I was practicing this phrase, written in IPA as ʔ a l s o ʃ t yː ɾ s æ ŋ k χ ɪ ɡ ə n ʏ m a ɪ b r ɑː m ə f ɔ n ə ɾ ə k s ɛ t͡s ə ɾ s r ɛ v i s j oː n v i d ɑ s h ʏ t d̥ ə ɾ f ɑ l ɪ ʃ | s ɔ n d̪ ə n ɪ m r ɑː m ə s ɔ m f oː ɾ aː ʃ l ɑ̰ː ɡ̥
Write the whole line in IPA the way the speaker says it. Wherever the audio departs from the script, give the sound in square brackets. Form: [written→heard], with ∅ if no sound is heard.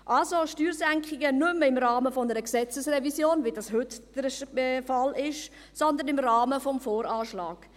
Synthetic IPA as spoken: ʔ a l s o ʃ t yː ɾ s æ ŋ k χ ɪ ɡ ə n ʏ m [a→ə] ɪ [b→m] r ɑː m ə f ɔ n ə ɾ ə k s ɛ t͡s ə [ɾ→∅] s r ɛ v i s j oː n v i d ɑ s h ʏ t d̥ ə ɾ f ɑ l ɪ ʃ | s ɔ n d̪ ə n ɪ m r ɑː m ə [s→f] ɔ m f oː ɾ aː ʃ l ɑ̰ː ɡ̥